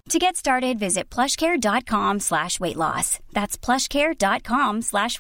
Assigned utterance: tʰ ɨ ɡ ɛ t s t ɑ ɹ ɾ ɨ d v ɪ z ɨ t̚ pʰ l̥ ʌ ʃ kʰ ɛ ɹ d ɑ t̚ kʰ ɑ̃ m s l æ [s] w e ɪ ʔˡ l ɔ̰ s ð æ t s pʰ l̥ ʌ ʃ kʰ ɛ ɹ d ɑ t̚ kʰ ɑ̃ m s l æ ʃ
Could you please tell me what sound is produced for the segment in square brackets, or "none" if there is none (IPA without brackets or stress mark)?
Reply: ʃ